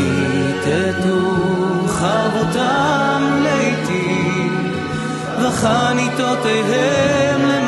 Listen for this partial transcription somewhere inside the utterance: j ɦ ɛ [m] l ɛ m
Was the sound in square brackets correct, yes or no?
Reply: yes